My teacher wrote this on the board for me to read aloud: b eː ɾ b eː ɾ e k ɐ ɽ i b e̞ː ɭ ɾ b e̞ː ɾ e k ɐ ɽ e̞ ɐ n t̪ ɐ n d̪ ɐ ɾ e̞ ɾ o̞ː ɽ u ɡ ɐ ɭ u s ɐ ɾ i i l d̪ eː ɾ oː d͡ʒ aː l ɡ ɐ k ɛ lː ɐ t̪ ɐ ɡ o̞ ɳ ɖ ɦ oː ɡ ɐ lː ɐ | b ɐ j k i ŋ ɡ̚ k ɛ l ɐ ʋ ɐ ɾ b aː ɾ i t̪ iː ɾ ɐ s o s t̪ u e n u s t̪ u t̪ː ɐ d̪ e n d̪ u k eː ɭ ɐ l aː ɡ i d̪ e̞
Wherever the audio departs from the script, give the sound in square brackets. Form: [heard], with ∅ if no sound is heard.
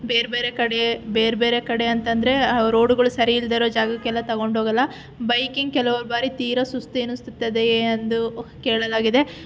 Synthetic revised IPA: b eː ɾ b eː ɾ e k ɐ ɽ [e] b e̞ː [∅] ɾ b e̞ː ɾ e k ɐ ɽ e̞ ɐ n t̪ ɐ n d̪ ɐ ɾ e̞ ɾ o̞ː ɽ u ɡ ɐ ɭ u s ɐ ɾ i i l d̪ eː ɾ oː d͡ʒ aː [∅] ɡ ɐ k ɛ lː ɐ t̪ ɐ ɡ o̞ ɳ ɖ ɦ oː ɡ ɐ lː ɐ | b ɐ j k i ŋ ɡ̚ k ɛ l ɐ ʋ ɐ ɾ b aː ɾ i t̪ iː ɾ ɐ s [u] s t̪ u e n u s t̪ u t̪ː ɐ d̪ e n d̪ u k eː ɭ ɐ l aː ɡ i d̪ e̞